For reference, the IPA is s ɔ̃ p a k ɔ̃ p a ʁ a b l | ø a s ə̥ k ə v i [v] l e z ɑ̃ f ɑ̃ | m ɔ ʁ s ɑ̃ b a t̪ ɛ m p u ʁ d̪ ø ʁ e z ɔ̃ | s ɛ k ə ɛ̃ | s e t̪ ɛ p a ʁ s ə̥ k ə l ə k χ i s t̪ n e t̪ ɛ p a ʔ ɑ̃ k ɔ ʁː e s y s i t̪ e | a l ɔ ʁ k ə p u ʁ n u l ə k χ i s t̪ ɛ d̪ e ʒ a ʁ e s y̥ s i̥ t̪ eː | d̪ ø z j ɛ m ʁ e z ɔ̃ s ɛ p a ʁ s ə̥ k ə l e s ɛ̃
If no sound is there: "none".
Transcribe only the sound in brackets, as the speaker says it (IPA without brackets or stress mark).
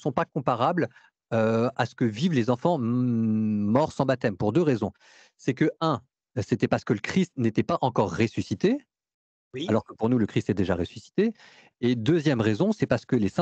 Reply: v